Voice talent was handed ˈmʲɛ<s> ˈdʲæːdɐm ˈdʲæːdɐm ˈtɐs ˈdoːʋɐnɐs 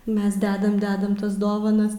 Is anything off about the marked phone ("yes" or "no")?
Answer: no